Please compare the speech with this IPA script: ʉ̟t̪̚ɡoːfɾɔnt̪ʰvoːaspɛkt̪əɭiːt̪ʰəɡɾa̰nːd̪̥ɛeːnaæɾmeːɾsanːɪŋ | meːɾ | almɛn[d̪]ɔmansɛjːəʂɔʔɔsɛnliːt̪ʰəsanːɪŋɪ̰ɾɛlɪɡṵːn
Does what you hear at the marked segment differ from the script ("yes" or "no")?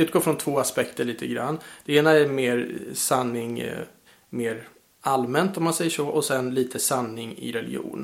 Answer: yes